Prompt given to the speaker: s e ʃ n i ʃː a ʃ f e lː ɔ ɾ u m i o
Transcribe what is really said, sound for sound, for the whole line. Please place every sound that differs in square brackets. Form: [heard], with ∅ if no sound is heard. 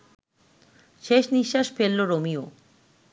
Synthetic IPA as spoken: [ʃ] e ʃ n i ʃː a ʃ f e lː [o] ɾ [o] m i o